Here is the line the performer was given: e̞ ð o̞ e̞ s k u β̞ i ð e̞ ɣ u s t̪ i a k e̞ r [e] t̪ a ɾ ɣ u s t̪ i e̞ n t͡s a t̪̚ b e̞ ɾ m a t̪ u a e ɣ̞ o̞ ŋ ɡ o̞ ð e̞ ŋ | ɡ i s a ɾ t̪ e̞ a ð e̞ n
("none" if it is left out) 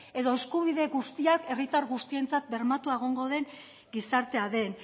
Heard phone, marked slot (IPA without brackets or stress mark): i